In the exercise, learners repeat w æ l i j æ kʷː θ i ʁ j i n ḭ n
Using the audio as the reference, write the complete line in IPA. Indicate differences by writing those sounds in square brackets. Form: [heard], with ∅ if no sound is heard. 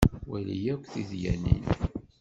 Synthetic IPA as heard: w æ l i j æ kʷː θ i [ð] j [æ] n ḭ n

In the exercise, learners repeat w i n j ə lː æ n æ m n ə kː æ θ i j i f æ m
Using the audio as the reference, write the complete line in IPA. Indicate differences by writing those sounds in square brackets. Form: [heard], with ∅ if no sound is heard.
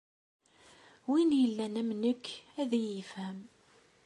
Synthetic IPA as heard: w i n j ə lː æ n æ m n ə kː æ [ð] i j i f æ m

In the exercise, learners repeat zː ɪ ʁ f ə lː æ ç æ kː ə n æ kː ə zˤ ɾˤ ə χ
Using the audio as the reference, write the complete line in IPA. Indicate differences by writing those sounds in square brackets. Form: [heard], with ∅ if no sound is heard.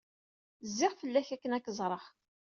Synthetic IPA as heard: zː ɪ ʁ f ə lː æ ç æ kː ə n æ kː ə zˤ ɾˤ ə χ

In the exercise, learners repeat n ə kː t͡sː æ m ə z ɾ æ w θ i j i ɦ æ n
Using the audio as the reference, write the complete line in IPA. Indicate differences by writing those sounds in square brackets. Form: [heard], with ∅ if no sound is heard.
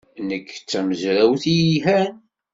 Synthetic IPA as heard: n ə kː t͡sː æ m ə z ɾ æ w θ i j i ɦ æ n

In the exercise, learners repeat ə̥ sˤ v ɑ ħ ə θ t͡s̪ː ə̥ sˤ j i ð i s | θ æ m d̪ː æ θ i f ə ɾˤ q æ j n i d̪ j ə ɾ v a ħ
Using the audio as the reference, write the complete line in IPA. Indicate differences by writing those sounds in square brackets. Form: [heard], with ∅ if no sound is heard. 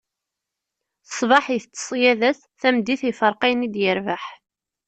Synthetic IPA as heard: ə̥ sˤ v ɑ ħ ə θ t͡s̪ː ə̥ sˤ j [æ] ð [æ] s | θ æ m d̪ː [i] θ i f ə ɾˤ q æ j n i d̪ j ə ɾ v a ħ

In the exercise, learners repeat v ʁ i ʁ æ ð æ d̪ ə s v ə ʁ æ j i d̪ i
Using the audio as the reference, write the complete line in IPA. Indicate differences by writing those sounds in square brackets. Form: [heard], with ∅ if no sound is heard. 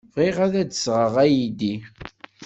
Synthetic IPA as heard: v ʁ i ʁ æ ð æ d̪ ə s [ʁ] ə ʁ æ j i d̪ i

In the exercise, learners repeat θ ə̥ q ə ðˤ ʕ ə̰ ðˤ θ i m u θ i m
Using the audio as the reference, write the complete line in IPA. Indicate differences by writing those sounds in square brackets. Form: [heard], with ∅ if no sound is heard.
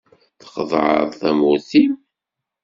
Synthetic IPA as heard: θ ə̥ q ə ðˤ ʕ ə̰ ðˤ θ [æ] m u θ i m

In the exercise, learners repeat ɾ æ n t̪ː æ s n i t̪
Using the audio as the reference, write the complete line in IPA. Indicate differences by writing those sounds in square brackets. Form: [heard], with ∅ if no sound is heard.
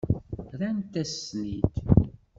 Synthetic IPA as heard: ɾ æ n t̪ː æ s n i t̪

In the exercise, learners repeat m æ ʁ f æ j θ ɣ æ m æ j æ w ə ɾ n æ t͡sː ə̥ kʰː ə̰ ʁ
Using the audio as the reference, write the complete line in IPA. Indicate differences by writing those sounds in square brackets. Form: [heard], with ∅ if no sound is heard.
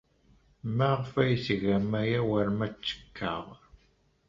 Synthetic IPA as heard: m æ ʁ f æ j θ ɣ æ m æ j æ w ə ɾ [m] æ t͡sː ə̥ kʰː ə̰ ʁ

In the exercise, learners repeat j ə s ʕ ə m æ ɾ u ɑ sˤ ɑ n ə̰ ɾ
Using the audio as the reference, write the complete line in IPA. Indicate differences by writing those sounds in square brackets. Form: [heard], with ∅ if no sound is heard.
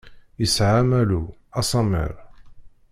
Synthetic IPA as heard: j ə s ʕ [a] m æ [l] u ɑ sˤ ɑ [m] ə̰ ɾ

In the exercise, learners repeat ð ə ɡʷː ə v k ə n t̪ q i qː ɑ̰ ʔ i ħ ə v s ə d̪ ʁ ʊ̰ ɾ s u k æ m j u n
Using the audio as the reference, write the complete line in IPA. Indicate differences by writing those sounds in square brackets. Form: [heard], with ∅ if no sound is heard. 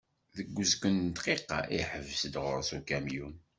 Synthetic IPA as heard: ð ə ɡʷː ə [z] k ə n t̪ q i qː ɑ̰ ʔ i ħ ə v s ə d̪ ʁ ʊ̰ ɾ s u k æ m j u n

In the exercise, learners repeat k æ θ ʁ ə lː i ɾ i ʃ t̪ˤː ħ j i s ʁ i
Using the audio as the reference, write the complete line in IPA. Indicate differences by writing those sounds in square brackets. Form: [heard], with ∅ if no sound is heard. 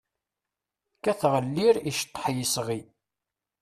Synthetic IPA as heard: k æ θ ʁ ə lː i ɾ i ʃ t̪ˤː ħ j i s ʁ i

